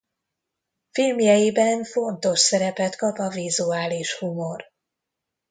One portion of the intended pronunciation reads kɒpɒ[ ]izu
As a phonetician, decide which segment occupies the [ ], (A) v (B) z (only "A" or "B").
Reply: A